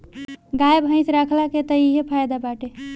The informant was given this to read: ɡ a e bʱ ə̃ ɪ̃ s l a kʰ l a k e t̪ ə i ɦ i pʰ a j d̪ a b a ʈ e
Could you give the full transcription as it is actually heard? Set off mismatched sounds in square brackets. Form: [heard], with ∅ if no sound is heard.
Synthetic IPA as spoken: ɡ a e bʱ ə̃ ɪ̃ s [ɾ] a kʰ l a k e t̪ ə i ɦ [e] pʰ a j d̪ a b a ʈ e